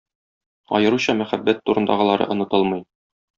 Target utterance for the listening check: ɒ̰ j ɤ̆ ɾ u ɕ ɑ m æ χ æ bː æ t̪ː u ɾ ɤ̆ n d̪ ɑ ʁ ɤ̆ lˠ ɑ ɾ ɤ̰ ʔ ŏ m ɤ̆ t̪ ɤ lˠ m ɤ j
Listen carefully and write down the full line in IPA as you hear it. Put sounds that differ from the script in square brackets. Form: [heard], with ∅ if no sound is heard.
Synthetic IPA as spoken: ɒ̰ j ɤ̆ ɾ u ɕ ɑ m æ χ æ bː æ t̪ː u ɾ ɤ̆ n d̪ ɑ ʁ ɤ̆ lˠ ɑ ɾ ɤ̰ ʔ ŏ [n] ɤ̆ t̪ ɤ lˠ m ɤ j